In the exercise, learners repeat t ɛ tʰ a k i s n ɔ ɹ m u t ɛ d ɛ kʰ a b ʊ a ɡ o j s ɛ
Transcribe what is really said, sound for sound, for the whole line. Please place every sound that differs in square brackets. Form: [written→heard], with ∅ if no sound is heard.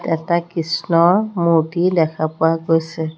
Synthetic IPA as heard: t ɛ [tʰ→t] a k i s n ɔ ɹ m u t [ɛ→i] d ɛ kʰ a [b→p] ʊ a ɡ o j s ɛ

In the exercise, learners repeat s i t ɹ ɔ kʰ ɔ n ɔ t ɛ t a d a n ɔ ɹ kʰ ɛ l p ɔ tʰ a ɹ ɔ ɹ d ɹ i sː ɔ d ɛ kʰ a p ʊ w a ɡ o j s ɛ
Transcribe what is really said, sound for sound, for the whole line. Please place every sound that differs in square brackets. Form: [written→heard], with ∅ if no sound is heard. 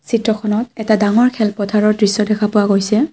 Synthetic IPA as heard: s i t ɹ ɔ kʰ ɔ n ɔ t ɛ t a d a [n→ŋ] ɔ ɹ kʰ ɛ l p ɔ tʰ a ɹ ɔ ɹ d ɹ i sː ɔ d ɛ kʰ a p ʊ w a ɡ o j s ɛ

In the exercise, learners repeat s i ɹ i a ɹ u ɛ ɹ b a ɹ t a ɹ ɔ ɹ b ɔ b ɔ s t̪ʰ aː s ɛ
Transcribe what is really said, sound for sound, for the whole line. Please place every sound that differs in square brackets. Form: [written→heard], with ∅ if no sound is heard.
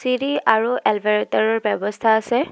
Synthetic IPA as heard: s i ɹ i a ɹ u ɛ [ɹ→l] b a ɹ t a ɹ ɔ ɹ b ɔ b ɔ s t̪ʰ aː s ɛ

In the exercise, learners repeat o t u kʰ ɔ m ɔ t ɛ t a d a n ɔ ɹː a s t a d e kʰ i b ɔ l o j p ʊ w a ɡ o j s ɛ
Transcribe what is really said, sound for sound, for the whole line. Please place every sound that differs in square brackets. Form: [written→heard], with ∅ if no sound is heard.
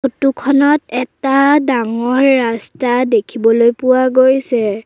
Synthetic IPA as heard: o t u kʰ ɔ [m→n] ɔ t ɛ t a d a [n→ŋ] ɔ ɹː a s t a d e kʰ i b ɔ l o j p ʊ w a ɡ o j s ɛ

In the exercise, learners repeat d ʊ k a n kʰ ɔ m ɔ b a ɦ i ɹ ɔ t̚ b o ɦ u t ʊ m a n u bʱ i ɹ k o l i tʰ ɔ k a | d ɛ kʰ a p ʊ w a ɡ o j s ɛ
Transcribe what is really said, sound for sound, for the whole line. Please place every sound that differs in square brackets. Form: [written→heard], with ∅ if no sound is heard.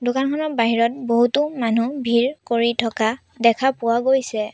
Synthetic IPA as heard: d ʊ k a n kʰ ɔ [m→n] ɔ b a ɦ i ɹ ɔ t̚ b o ɦ u t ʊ m a n u bʱ i ɹ k o [l→ɹ] i tʰ ɔ k a | d ɛ kʰ a p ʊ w a ɡ o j s ɛ

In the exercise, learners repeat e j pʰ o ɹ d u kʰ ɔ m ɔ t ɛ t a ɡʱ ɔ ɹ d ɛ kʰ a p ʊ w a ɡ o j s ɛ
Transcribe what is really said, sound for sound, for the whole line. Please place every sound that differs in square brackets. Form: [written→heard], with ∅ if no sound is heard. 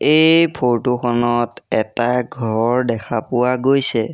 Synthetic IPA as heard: e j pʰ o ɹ [d→t] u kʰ ɔ [m→n] ɔ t ɛ t a ɡʱ ɔ ɹ d ɛ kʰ a p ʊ w a ɡ o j s ɛ

